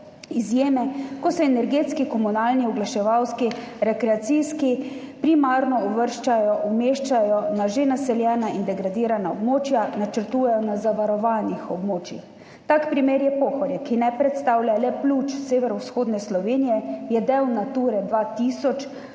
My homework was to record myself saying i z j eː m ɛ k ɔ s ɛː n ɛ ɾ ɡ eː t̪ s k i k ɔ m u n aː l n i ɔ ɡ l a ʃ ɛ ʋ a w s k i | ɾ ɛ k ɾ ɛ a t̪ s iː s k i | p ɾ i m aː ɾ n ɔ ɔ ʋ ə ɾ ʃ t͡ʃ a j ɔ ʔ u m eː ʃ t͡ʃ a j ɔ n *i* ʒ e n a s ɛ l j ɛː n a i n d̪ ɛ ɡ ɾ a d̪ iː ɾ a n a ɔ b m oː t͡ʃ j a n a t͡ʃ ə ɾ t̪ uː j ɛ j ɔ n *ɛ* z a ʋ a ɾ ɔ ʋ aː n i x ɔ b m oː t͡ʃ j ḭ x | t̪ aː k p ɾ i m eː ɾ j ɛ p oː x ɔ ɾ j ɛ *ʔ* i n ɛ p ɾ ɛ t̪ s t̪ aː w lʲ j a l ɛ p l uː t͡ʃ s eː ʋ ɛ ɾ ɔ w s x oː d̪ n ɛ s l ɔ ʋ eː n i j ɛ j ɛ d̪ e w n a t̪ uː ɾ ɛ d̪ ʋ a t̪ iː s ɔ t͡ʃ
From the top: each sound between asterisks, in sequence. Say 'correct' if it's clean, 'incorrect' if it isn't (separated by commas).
incorrect, incorrect, incorrect